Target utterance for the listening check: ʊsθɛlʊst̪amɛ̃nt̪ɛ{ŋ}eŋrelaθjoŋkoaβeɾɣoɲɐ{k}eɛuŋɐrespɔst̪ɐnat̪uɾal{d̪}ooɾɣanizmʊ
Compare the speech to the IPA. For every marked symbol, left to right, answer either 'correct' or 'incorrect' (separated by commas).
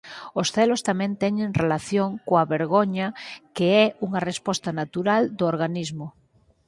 incorrect, correct, correct